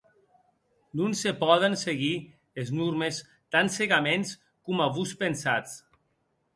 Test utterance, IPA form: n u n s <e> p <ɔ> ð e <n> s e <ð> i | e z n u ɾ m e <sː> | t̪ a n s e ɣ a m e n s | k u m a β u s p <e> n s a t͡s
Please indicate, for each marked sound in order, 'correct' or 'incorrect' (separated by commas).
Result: correct, correct, correct, incorrect, incorrect, correct